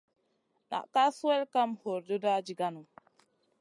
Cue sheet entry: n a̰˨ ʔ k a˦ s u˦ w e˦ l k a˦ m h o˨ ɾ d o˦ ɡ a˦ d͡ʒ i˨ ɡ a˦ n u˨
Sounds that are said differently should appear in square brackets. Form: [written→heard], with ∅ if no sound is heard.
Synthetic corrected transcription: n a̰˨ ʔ k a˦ s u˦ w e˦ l k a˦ m h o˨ ɾ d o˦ [ɡ→d] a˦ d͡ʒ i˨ ɡ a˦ n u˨